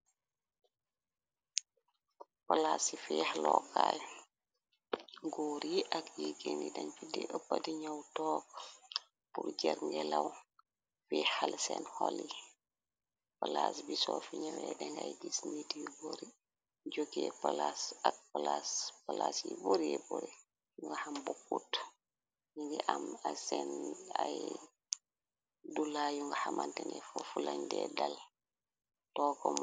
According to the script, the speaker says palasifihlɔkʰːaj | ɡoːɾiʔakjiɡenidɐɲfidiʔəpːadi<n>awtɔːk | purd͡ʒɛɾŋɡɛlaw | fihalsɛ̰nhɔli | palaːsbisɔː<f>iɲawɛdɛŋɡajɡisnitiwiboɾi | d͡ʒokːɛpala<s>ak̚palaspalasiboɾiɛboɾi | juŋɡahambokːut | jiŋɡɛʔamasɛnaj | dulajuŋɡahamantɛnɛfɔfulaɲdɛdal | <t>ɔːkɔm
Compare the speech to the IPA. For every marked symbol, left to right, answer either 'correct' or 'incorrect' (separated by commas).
incorrect, correct, correct, correct